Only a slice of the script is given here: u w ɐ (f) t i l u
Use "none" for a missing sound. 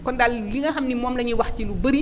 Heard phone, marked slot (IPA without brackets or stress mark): x